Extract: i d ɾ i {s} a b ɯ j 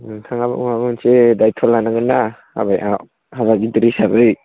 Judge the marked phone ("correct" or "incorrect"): correct